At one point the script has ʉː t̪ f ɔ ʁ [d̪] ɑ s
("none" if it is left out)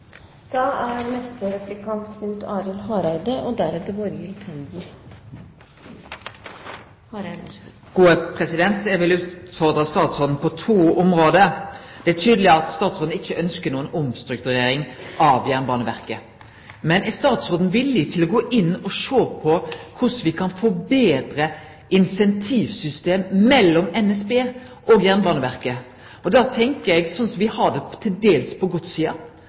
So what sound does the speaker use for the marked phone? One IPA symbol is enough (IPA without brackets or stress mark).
d̪